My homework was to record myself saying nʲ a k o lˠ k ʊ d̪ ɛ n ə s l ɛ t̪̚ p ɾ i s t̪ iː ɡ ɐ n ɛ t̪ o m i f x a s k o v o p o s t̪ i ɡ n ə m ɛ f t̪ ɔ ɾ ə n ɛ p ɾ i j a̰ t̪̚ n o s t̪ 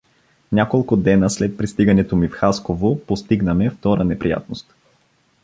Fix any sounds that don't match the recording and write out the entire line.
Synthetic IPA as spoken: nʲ a k o lˠ k ʊ d̪ ɛ n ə s l ɛ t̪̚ p ɾ i s t̪ i ɡ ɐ n ɛ t̪ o m i f x a s k o v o p o s t̪ i ɡ n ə m ɛ f t̪ ɔ ɾ ə n ɛ p ɾ i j a̰ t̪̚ n o s t̪